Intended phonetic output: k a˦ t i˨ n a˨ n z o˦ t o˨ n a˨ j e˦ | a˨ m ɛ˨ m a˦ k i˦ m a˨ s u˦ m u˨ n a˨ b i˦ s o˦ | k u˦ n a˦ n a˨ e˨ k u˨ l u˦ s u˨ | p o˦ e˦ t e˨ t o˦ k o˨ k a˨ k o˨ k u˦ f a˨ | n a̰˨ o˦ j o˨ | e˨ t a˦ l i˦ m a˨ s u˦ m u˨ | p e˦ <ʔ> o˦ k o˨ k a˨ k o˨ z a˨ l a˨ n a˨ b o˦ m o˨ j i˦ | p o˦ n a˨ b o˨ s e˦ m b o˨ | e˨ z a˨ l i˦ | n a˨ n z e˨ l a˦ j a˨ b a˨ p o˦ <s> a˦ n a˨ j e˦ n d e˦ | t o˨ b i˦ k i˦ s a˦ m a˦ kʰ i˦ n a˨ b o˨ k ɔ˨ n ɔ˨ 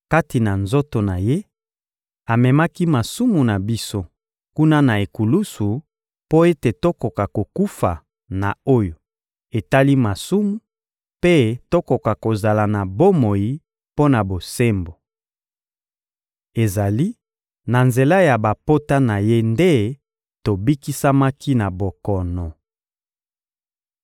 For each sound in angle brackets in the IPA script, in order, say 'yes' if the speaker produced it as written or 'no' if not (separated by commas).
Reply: no, no